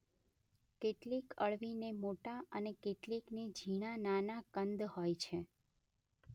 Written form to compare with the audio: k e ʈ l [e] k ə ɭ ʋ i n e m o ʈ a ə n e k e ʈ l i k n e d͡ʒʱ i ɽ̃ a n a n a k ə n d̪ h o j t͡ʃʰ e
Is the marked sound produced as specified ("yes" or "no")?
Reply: no